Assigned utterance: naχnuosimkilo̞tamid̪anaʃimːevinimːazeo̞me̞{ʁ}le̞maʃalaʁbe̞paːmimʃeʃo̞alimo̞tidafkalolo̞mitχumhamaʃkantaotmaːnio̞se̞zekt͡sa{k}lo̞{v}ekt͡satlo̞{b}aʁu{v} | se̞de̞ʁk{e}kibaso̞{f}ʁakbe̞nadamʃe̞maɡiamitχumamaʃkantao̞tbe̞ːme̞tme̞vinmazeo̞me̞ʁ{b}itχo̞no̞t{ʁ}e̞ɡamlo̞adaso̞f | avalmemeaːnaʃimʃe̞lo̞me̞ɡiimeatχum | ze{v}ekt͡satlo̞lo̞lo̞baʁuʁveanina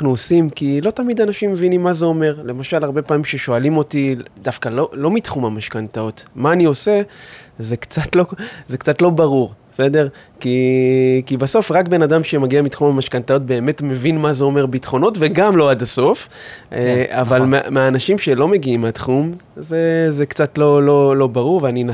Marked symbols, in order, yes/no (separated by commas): yes, no, no, yes, no, no, yes, yes, no, no